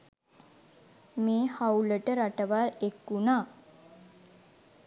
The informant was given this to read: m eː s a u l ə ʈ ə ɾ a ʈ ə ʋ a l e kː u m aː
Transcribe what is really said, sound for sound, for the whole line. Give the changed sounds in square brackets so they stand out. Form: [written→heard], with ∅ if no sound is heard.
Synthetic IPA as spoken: m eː [s→h] a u l ə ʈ ə ɾ a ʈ ə ʋ a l e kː u [m→n] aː